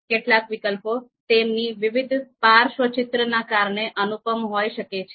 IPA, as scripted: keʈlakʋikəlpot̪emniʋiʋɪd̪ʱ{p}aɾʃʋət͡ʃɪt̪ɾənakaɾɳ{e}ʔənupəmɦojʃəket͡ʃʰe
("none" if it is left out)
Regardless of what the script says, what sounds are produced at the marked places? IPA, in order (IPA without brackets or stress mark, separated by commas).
p, e